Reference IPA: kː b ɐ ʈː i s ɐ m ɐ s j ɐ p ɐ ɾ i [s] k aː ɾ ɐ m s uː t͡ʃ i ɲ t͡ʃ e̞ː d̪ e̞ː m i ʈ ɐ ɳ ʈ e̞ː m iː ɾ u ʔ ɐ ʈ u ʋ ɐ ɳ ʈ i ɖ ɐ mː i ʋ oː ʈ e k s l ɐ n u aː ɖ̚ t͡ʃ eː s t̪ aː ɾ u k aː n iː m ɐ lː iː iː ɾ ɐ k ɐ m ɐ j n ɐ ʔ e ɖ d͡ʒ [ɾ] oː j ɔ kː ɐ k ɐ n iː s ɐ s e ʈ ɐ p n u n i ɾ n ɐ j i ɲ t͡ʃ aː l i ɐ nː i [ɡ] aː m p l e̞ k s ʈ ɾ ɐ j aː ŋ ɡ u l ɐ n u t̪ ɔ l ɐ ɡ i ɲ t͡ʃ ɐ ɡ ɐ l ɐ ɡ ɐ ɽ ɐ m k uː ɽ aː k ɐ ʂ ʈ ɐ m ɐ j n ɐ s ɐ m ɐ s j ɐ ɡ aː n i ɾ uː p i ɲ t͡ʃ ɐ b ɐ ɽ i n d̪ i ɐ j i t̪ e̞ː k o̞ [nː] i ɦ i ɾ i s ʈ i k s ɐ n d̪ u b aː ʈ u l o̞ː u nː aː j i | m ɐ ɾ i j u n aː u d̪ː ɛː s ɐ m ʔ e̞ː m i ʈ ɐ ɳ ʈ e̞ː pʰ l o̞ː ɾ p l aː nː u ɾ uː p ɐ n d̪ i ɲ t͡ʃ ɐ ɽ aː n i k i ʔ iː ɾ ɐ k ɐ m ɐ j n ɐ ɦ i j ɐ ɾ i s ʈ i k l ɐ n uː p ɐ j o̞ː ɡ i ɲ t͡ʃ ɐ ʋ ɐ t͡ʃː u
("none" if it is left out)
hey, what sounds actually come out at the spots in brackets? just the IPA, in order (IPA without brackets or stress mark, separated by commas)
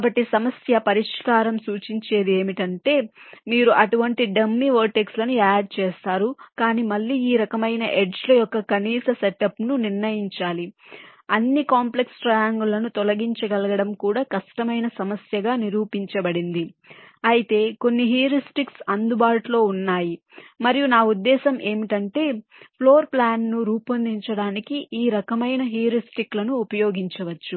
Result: ʂ, l, k, nː